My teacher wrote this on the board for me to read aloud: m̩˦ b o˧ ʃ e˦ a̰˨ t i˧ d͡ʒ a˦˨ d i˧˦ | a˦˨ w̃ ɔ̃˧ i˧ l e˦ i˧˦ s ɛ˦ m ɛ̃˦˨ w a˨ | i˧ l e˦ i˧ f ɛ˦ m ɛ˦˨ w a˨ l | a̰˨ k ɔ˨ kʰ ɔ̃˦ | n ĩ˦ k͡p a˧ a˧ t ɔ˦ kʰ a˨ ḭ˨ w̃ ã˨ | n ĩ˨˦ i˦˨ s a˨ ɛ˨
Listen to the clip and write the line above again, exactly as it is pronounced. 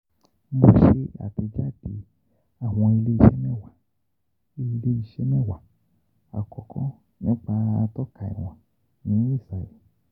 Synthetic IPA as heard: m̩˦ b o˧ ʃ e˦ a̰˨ t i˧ d͡ʒ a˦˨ d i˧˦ | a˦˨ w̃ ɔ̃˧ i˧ l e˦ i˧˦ ʃ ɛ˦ m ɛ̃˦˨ w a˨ | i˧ l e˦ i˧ ʃ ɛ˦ m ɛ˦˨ w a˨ | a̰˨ k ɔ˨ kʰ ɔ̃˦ | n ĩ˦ k͡p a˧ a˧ t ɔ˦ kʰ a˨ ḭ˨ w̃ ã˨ | n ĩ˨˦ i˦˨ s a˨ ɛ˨